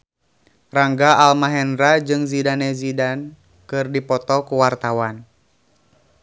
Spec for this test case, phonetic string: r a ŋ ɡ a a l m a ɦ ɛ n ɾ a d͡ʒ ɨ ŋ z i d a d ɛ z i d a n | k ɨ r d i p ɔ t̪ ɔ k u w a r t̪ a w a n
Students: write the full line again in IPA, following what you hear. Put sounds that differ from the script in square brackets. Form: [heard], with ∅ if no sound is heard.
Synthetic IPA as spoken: r a ŋ ɡ a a l m a ɦ ɛ n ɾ a d͡ʒ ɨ ŋ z i d a [n] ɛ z i d a n | k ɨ r d i p ɔ t̪ ɔ k u w a r t̪ a w a n

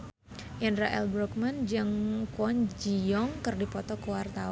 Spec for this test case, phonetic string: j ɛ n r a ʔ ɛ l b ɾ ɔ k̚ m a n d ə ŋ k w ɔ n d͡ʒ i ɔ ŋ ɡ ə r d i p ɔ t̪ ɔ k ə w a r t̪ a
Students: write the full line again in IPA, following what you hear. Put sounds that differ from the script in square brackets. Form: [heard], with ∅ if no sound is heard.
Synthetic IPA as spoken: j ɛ n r a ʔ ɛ l b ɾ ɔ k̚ m a n [d͡ʒ] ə ŋ k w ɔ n d͡ʒ i ɔ ŋ [k] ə r d i p ɔ t̪ ɔ k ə w a r t̪ a

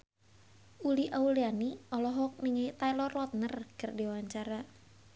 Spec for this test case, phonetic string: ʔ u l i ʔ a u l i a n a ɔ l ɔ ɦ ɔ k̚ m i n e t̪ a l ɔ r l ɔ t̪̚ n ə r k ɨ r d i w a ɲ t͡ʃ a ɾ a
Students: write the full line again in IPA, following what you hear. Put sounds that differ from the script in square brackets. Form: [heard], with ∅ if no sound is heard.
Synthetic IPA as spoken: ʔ u l i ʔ a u l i a n [i] ɔ l ɔ ɦ ɔ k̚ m i [ŋ] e t̪ a l ɔ r l ɔ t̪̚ n ə r k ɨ r d i w a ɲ t͡ʃ a ɾ a

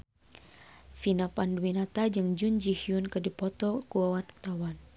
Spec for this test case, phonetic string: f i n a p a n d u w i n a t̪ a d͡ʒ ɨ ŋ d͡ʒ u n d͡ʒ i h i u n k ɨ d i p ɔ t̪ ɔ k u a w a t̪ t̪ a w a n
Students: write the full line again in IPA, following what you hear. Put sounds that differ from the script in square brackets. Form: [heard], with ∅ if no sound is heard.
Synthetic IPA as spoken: f i n a p a n d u w i n a t̪ a d͡ʒ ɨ ŋ d͡ʒ u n d͡ʒ i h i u n k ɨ d i p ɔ t̪ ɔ k u a w a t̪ t̪ a w a n

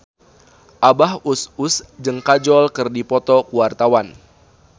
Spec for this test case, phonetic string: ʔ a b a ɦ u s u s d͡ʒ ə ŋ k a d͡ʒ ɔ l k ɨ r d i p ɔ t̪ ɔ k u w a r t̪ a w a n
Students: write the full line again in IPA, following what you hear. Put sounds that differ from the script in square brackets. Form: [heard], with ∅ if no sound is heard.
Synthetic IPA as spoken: ʔ a b a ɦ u s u s d͡ʒ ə ŋ k a d͡ʒ ɔ l k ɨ r d i p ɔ t̪ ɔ k u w a r t̪ a w a n

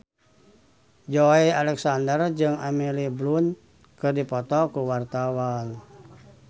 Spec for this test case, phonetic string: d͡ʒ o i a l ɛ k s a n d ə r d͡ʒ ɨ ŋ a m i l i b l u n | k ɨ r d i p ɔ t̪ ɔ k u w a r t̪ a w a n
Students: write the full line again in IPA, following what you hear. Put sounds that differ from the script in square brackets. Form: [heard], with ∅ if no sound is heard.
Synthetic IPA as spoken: d͡ʒ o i a l ɛ k s a n d ə r d͡ʒ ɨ ŋ a m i l i b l u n | k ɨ r d i p ɔ t̪ ɔ k u w a r t̪ a w a n

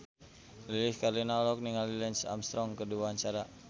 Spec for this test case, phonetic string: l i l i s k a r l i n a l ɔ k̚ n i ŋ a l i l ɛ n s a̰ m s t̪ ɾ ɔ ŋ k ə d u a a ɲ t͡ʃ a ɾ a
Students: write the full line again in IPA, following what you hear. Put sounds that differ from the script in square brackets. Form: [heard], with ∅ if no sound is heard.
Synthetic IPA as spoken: l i l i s k a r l i n a l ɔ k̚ n i ŋ a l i l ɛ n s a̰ m s t̪ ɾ ɔ ŋ k ə d u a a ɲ t͡ʃ a ɾ a

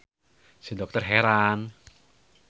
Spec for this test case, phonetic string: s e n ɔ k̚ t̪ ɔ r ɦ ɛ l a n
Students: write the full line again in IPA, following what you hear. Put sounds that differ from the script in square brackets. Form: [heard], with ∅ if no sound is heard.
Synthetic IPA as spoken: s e [d] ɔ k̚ t̪ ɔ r ɦ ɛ [ɾ] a n

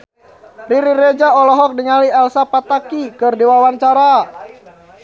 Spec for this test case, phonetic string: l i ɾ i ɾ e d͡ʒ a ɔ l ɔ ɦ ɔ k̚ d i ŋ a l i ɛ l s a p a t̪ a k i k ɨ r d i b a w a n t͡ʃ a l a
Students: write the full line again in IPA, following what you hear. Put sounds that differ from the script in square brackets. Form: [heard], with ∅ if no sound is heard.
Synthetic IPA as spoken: [r] i ɾ i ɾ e d͡ʒ a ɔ l ɔ ɦ ɔ k̚ d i ŋ a l i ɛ l s a p a t̪ a k i k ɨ r d i [w] a w a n t͡ʃ a [ɾ] a

